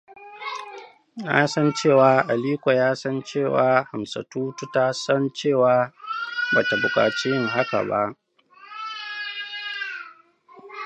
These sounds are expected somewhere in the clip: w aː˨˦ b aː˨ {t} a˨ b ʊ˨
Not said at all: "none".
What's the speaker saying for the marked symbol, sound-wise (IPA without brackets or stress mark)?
t